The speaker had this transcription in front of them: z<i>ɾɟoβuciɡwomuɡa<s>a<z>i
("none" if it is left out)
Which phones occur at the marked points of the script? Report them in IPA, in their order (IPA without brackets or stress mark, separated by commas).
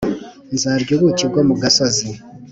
a, s, z